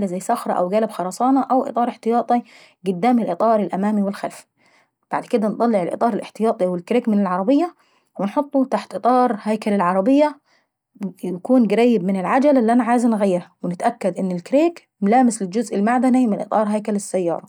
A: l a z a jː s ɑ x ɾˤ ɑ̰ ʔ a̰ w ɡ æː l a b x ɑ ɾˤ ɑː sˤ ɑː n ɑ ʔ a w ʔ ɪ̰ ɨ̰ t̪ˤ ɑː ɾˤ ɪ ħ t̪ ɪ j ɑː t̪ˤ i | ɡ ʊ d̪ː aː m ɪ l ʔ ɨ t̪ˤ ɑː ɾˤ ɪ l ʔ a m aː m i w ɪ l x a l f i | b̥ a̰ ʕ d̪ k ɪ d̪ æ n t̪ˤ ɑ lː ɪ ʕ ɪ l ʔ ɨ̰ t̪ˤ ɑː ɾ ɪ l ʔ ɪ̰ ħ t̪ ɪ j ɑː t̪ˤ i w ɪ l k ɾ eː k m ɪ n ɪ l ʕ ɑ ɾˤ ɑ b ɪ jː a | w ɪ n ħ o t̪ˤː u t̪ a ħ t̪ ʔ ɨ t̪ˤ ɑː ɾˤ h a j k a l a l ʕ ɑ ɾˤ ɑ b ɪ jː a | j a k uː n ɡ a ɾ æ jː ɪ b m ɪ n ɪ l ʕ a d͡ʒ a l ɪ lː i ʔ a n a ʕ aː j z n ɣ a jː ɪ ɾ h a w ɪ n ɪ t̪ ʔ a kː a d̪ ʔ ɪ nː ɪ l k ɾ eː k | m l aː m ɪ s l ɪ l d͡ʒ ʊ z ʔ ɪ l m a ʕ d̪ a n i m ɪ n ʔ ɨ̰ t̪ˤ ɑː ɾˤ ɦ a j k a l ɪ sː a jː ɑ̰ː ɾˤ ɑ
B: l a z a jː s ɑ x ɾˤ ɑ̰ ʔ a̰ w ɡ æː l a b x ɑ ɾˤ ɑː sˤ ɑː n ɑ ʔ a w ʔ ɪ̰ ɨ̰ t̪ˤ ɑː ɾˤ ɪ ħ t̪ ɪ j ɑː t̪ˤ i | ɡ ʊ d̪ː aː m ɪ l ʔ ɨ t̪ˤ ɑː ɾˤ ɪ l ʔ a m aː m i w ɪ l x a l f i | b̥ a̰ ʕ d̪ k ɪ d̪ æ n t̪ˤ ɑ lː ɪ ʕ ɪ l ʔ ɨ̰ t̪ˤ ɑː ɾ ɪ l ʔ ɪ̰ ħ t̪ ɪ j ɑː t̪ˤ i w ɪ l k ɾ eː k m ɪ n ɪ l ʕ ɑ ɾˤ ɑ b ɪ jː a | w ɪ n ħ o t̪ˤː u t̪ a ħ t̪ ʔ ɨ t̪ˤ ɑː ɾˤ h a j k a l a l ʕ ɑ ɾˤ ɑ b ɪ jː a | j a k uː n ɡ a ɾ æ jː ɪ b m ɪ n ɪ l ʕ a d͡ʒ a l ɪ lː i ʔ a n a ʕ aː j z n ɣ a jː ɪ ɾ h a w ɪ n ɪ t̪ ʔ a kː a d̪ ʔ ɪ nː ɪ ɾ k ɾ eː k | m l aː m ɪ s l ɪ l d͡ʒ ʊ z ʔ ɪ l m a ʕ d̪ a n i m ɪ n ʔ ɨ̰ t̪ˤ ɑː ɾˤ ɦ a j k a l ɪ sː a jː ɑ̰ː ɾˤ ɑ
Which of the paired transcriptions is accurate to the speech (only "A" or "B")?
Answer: A